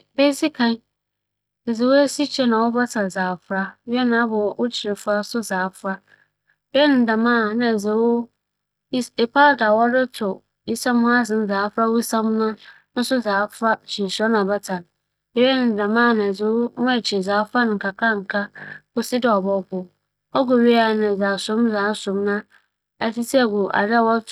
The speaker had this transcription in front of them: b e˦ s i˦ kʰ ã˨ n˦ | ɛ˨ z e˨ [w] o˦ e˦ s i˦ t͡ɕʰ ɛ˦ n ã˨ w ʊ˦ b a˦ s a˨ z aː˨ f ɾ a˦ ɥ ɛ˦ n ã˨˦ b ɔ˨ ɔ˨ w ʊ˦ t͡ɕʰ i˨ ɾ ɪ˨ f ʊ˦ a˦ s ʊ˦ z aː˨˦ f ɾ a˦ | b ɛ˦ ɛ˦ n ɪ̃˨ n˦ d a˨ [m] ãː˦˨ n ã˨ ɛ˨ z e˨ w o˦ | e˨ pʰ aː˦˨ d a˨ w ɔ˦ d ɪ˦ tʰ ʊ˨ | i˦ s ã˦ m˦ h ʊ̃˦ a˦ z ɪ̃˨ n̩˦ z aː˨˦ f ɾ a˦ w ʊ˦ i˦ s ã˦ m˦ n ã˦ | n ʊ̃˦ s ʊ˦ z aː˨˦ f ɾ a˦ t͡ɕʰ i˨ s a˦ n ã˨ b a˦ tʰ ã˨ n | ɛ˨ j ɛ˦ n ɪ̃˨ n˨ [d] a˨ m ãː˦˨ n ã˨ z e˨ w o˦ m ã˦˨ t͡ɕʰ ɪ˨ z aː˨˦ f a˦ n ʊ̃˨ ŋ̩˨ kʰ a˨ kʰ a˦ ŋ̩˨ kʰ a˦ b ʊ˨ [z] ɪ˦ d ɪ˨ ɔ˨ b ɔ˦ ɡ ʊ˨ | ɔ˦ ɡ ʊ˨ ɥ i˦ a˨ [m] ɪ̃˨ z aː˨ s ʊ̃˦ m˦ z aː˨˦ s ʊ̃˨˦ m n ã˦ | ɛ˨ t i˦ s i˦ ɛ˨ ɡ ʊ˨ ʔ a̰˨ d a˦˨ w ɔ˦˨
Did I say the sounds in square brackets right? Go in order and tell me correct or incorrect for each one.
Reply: correct, correct, correct, incorrect: s, incorrect: n

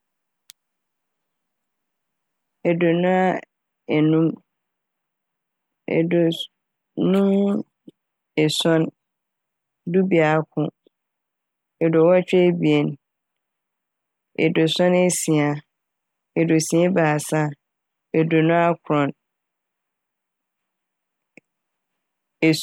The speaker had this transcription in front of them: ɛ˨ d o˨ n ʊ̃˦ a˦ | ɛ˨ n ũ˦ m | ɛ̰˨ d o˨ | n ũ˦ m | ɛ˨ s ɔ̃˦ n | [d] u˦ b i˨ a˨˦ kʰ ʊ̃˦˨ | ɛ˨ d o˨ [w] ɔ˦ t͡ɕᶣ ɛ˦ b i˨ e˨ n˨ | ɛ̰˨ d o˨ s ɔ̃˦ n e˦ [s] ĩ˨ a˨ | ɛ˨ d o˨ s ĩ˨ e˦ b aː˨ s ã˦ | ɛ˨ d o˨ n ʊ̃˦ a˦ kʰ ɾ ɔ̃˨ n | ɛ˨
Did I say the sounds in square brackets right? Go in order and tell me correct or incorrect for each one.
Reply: correct, correct, correct

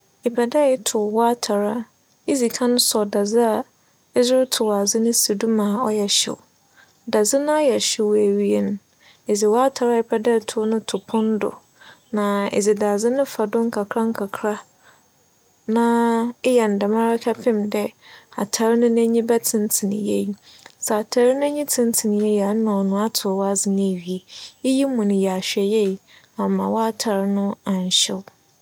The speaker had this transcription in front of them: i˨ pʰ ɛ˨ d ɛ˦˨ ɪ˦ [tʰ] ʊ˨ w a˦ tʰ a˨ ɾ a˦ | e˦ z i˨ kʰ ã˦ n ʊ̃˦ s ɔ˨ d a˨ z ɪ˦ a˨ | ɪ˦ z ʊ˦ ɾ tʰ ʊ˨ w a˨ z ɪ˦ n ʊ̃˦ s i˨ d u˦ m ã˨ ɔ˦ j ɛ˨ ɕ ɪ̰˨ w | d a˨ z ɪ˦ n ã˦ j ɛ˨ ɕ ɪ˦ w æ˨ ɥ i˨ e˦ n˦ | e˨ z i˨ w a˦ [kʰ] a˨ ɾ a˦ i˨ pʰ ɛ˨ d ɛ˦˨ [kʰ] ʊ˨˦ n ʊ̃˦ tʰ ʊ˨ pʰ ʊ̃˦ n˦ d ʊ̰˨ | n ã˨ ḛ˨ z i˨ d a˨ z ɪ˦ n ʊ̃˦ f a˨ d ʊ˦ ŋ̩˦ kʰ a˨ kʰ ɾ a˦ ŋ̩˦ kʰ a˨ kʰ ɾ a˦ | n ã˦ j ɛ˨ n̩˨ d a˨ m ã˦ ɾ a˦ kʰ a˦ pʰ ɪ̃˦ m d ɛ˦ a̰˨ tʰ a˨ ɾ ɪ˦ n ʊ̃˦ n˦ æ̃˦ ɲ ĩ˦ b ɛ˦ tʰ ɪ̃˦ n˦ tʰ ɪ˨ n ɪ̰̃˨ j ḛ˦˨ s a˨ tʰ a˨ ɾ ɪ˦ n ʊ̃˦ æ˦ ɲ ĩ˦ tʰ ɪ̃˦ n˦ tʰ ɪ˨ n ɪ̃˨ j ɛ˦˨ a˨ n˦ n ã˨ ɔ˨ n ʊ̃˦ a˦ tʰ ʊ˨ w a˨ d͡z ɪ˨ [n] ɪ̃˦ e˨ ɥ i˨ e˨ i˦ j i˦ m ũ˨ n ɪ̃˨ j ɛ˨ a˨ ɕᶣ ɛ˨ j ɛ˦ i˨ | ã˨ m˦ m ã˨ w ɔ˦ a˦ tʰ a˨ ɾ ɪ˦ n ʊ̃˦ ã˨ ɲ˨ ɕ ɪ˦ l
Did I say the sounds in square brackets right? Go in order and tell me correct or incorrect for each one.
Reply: correct, incorrect: tʰ, incorrect: tʰ, correct

